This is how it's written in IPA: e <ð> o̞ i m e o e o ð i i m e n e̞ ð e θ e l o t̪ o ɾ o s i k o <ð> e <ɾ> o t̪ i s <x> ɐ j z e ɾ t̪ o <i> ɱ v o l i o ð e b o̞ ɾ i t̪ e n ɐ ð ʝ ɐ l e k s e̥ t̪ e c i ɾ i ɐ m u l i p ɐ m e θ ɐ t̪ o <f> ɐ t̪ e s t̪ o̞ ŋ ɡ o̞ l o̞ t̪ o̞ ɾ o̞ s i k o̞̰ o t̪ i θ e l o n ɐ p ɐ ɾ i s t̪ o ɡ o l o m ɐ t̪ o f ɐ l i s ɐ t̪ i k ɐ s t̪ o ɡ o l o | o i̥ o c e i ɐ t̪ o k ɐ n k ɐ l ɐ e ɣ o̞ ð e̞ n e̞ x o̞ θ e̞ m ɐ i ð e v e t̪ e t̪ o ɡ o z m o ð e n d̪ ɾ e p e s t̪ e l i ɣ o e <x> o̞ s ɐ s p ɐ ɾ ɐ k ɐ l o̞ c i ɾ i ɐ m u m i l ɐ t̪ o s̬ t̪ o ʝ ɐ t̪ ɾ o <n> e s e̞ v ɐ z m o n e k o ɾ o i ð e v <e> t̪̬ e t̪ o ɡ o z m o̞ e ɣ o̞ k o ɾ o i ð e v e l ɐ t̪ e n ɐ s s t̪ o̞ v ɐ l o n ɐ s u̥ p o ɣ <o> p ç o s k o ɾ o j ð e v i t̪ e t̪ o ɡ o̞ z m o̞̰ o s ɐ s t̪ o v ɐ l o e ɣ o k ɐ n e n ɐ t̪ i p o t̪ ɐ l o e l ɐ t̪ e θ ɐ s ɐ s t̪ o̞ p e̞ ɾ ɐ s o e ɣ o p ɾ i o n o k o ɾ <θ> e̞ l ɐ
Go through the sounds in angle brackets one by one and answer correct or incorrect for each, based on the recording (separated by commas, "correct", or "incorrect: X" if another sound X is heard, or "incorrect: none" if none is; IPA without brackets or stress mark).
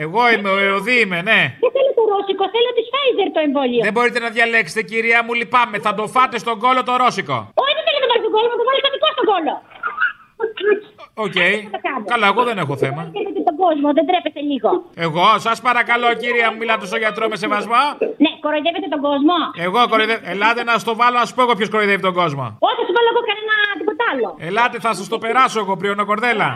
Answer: incorrect: ɣ, incorrect: θ, incorrect: l, incorrect: f, incorrect: e, correct, incorrect: ɣ, incorrect: m, correct, correct, incorrect: ð